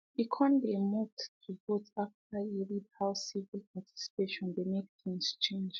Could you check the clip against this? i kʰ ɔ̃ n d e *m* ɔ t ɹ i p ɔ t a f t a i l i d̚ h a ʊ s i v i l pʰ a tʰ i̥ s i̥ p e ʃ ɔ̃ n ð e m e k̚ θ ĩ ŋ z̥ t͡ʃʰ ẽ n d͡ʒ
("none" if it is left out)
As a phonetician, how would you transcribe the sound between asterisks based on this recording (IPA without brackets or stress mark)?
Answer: m